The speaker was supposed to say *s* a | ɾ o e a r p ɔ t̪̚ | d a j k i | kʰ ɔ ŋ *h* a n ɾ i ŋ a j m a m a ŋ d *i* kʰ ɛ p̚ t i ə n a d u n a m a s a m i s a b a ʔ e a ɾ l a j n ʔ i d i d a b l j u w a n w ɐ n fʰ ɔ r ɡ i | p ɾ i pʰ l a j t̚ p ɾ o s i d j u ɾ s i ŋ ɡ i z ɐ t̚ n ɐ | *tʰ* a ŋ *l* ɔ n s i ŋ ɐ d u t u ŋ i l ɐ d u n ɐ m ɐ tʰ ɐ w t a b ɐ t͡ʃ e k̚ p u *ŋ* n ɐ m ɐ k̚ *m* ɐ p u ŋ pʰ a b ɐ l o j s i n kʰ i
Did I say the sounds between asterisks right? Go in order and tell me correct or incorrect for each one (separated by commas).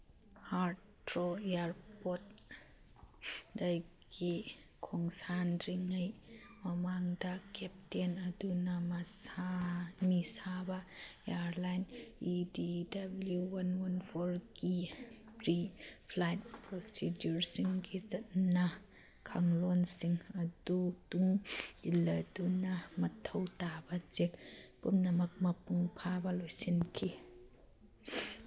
incorrect, incorrect, incorrect, incorrect, correct, incorrect, correct